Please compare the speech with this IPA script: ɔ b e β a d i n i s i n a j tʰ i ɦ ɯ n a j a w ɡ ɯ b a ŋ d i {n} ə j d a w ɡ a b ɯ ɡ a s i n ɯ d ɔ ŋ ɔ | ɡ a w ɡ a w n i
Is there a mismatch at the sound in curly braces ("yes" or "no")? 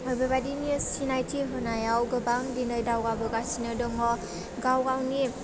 no